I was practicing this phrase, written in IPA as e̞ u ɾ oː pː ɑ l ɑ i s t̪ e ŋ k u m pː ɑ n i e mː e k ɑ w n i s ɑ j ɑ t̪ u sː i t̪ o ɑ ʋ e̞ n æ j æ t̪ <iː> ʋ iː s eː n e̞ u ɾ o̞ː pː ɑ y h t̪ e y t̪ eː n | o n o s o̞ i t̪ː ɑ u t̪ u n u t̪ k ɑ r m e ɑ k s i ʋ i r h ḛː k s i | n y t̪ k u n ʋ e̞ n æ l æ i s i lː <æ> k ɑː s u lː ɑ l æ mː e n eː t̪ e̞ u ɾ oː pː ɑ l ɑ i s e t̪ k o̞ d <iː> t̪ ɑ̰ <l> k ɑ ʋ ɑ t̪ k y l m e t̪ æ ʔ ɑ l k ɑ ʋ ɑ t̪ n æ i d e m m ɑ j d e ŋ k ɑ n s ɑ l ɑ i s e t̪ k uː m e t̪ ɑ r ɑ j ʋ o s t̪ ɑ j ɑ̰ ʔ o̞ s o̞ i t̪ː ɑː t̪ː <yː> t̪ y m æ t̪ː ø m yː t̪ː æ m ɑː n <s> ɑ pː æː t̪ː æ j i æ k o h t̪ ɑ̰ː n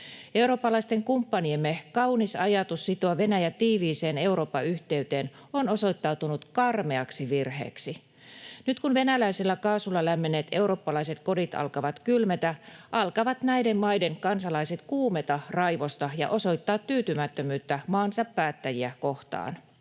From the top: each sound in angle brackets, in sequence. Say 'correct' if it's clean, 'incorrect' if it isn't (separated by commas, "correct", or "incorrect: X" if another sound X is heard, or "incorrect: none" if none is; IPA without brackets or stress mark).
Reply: correct, correct, incorrect: i, correct, correct, correct